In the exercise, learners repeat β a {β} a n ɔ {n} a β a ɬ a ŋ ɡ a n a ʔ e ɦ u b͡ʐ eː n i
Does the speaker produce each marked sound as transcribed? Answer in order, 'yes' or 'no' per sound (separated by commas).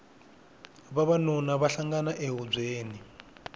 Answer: yes, yes